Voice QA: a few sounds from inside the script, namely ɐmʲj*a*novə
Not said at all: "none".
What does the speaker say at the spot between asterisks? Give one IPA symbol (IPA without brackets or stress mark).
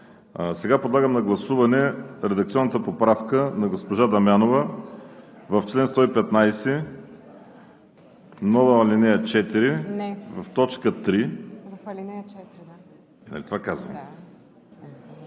a